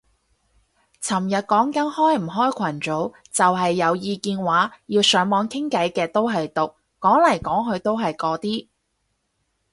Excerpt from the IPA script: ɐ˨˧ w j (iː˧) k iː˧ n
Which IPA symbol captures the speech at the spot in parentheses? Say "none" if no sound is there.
iː˧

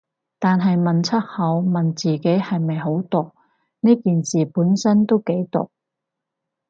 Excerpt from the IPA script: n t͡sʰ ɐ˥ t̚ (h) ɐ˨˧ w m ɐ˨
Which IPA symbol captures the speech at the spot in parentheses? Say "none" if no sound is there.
h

